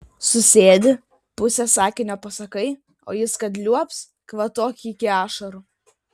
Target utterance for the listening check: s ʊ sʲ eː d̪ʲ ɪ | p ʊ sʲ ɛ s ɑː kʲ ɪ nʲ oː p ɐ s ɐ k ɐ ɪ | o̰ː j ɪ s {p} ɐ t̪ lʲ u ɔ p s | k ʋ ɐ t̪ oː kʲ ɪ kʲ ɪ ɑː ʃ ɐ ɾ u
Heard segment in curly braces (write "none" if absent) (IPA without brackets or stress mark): k